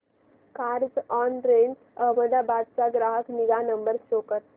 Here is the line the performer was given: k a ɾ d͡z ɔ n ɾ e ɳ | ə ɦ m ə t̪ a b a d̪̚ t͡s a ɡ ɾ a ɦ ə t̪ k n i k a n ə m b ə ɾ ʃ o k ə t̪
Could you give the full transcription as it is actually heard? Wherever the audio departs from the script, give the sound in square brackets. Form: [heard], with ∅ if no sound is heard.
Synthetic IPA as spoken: k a ɾ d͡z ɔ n ɾ e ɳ | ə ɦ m ə [d̪] a b a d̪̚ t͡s a ɡ ɾ a ɦ ə [∅] k n i [ɡ] a n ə m b ə ɾ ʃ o k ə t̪